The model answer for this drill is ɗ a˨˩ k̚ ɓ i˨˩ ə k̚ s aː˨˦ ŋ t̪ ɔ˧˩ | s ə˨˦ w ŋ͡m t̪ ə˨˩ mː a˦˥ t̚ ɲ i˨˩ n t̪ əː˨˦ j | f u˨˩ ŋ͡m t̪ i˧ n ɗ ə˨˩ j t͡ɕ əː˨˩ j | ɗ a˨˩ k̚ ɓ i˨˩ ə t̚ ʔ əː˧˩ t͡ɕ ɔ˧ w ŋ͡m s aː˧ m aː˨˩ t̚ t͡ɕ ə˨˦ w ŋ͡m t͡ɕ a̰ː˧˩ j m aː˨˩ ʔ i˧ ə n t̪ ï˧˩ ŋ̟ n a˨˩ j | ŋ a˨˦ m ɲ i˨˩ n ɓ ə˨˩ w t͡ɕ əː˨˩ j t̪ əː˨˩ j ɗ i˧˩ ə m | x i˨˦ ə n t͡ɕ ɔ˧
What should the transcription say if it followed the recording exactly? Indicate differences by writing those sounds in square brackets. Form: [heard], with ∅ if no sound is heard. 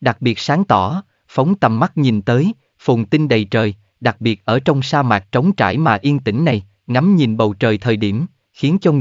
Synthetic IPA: ɗ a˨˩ k̚ ɓ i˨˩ ə [t̚] s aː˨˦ ŋ t̪ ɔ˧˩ | [f] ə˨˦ w ŋ͡m t̪ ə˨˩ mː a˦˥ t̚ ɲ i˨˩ n t̪ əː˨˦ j | f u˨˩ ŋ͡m t̪ i˧ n ɗ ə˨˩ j t͡ɕ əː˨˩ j | ɗ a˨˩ k̚ ɓ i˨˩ ə t̚ ʔ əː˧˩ t͡ɕ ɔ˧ w ŋ͡m s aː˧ m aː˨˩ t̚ t͡ɕ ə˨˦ w ŋ͡m t͡ɕ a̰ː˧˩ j m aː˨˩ ʔ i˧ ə n t̪ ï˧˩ ŋ̟ n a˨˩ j | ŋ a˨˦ m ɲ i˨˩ n ɓ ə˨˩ w t͡ɕ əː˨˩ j [t̪ʰ] əː˨˩ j ɗ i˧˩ ə m | x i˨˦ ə n t͡ɕ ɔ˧